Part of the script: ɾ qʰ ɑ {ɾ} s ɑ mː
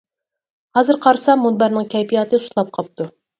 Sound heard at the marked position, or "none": ɾ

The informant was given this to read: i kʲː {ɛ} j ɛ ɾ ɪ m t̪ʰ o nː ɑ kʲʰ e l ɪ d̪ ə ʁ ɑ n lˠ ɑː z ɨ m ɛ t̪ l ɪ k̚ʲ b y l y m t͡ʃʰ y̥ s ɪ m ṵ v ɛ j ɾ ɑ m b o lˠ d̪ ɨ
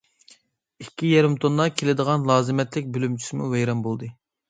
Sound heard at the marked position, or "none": i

